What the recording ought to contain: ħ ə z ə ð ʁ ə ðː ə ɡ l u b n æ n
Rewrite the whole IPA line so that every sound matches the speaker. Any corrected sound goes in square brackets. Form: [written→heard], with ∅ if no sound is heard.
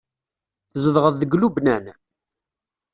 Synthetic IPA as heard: [ħ→θ] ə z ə ð ʁ ə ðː ə ɡ l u b n æ n